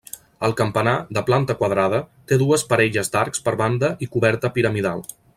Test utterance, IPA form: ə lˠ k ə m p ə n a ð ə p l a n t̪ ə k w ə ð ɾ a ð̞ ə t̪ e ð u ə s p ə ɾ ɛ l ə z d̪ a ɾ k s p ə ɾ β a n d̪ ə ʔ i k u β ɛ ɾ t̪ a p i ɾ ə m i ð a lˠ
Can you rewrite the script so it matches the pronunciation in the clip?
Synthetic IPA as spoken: ə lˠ k ə m p ə n a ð ə p l a n t̪ ə k w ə ð ɾ a ð̞ ə t̪ e ð u ə s p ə ɾ ɛ ʎ ə z d̪ a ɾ k s p ə ɾ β a n d̪ ə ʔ i k u β ɛ ɾ t̪ ə p i ɾ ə m i ð a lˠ